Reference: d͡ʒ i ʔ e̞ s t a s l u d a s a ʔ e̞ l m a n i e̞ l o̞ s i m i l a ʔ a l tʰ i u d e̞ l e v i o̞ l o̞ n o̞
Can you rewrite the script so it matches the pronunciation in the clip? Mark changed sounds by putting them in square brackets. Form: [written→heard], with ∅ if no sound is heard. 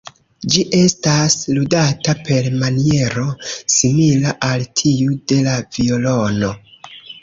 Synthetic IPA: d͡ʒ i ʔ e̞ s t a s l u d a [s→t] a [ʔ→p] e̞ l m a n i e̞ [l→ɾ] o̞ s i m i l a ʔ a l tʰ i u d e̞ l [e→a] v i o̞ l o̞ n o̞